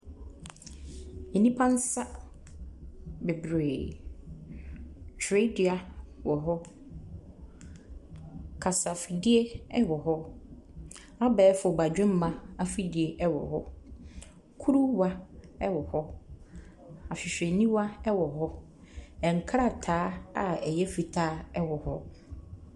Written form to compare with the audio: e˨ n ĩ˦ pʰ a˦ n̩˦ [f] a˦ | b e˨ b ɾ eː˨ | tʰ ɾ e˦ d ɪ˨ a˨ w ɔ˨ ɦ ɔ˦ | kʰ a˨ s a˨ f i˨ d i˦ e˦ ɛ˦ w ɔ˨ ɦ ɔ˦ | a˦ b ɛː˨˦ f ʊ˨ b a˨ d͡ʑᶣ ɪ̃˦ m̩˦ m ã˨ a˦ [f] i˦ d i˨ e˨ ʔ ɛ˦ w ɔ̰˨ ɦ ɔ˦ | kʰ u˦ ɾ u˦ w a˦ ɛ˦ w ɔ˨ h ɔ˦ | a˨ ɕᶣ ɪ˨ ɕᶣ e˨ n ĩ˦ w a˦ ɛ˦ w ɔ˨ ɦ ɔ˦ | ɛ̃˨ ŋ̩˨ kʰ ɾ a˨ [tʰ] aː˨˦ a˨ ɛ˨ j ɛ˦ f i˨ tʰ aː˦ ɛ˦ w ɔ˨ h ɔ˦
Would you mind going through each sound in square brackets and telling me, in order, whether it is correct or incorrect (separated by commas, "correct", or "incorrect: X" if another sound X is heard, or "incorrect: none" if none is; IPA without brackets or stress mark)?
incorrect: s, correct, correct